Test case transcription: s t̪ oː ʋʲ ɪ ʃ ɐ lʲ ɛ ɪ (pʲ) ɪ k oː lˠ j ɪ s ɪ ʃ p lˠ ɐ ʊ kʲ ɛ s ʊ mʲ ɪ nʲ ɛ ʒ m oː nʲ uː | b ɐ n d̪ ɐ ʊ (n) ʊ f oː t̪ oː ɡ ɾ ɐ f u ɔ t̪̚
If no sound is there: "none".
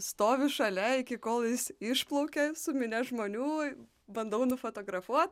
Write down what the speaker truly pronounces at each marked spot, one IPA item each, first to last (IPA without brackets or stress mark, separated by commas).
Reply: kʲ, n